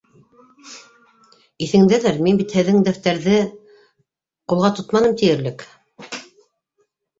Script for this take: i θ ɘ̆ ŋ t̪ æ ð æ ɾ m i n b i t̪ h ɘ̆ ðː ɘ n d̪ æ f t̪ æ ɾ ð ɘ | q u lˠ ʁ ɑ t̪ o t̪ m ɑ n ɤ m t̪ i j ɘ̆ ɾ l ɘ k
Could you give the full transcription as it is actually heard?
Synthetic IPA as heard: i θ ɘ̆ ŋ d̪ æ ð æ ɾ m i n b i t̪ h ɘ̆ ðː ɘ ŋ d̪ æ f t̪ æ ɾ ð ɘ | q u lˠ ʁ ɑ t̪ o t̪ m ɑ n ɤ m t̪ i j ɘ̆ ɾ l ɘ k